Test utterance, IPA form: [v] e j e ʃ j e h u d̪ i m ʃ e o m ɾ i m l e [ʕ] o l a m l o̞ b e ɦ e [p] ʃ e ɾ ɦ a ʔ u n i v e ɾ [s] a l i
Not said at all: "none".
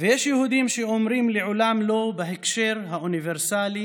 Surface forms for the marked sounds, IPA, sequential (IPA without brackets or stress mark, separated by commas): v, ʕ, k, s